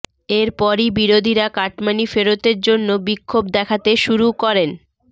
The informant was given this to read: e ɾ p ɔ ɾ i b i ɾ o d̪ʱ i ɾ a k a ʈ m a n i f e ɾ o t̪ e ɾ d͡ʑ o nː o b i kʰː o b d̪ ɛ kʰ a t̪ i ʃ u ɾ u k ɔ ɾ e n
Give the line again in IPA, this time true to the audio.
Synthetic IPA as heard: e ɾ p ɔ ɾ i b i ɾ o d̪ʱ i ɾ a k a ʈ m a n i f e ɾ o t̪ e ɾ d͡ʑ o nː o b i kʰː o b d̪ ɛ kʰ a t̪ e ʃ u ɾ u k ɔ ɾ e n